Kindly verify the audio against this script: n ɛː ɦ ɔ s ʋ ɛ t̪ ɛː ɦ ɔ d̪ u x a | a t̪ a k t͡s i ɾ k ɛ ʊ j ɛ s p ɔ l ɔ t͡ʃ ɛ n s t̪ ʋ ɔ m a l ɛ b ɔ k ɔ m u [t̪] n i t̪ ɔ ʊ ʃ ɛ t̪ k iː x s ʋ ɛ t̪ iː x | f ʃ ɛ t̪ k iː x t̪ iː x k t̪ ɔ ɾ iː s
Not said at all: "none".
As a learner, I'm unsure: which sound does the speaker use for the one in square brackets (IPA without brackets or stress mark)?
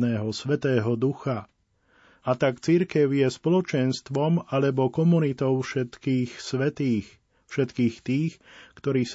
none